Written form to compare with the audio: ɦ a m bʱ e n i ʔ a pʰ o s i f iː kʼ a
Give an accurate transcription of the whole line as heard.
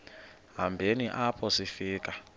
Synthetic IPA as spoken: ɦ a m bʱ e n i ʔ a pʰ ɔ s i f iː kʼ a